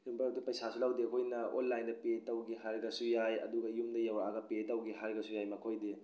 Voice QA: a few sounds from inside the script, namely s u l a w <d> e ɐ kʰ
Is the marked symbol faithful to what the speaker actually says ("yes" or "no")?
yes